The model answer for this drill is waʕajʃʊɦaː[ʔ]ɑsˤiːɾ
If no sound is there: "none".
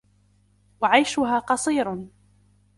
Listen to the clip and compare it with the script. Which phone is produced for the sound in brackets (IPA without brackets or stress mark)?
q